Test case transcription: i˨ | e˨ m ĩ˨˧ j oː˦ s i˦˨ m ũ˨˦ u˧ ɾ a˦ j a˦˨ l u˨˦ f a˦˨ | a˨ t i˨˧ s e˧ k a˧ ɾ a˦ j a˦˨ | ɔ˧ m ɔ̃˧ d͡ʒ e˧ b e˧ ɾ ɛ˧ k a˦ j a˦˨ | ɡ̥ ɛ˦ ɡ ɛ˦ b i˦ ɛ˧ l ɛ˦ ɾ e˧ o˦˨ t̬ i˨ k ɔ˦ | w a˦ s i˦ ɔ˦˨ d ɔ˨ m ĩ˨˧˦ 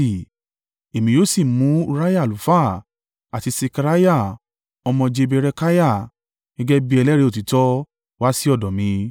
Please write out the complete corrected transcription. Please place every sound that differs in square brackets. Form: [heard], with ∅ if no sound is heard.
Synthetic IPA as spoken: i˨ | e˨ m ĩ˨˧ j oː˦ s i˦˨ m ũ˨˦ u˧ ɾ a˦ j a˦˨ l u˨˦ f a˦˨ | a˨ t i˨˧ s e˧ k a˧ ɾ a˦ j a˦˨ | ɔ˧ m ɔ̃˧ d͡ʒ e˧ b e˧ ɾ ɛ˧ k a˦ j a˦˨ | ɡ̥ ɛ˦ ɡ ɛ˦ b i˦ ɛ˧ l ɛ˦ ɾ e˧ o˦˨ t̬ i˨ [t] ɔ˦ | w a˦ s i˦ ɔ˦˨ d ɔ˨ m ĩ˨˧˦